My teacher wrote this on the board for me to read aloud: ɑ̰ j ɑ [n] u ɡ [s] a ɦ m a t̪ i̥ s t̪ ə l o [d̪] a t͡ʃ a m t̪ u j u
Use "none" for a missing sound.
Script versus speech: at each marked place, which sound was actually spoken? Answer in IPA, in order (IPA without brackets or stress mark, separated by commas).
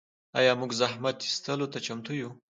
m, z, t̪